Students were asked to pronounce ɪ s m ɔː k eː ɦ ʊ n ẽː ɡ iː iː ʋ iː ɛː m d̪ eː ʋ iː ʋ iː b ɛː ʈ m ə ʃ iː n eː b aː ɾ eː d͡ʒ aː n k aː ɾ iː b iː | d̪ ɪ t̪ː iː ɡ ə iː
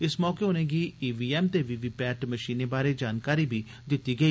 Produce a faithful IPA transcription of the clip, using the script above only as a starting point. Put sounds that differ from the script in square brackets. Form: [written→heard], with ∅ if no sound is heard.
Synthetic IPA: ɪ s m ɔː k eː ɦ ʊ n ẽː ɡ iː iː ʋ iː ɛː m [d̪→t̪] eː ʋ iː ʋ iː [b→p] ɛː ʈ m ə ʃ iː n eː b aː ɾ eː d͡ʒ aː n k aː ɾ iː b iː | d̪ ɪ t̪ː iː ɡ ə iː